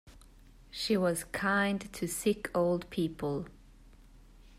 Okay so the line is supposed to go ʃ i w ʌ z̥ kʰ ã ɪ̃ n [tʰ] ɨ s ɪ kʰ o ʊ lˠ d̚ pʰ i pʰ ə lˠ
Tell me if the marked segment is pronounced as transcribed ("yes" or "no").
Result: yes